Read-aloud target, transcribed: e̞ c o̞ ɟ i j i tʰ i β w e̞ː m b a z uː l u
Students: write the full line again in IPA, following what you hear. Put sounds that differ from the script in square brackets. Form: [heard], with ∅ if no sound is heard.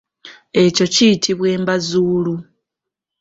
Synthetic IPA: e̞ c o̞ [c] i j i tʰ i β w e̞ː m b a z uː l u